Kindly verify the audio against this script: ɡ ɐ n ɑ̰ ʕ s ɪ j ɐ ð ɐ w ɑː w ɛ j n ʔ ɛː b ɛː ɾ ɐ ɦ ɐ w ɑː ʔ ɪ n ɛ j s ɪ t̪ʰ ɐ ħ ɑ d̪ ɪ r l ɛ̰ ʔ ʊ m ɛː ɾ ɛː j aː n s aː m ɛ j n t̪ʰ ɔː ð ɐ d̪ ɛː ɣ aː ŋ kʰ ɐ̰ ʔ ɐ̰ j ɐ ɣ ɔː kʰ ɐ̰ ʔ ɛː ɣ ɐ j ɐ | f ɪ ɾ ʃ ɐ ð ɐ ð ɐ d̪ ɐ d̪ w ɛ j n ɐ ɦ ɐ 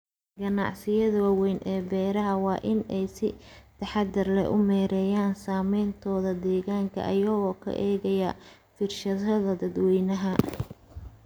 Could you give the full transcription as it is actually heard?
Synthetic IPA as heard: ɡ ɐ n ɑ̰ ʕ s ɪ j ɐ ð ɐ w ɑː w ɛ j n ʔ ɛː b ɛː ɾ ɐ ɦ ɐ w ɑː ʔ ɪ n ɛ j s ɪ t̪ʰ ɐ ħ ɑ d̪ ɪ r l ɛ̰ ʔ ʊ m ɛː ɾ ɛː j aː n s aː m ɛ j n t̪ʰ ɔː ð ɐ d̪ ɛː ɣ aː ŋ kʰ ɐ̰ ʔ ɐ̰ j ɐ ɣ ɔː kʰ ɐ̰ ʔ ɛː ɣ ɐ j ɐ | f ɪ r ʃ ɐ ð ɐ ð ɐ d̪ ɐ d̪ w ɛ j n ɐ ɦ ɐ